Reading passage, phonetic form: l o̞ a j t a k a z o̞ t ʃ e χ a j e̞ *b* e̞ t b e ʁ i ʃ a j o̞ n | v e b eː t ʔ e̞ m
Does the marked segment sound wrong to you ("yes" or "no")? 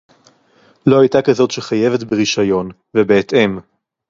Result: yes